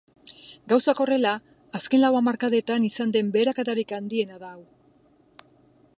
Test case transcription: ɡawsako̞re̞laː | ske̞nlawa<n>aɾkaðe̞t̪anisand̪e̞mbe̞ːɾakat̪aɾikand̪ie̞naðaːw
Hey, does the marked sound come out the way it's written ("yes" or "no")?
no